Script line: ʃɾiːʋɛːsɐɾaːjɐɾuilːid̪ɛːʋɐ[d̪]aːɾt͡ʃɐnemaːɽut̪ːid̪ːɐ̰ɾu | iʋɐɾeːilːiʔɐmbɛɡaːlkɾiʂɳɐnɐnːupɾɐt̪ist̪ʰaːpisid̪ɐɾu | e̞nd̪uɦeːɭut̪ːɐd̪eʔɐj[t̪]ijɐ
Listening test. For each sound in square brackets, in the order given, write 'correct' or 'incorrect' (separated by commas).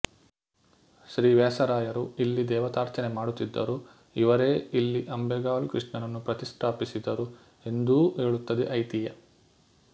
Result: incorrect, correct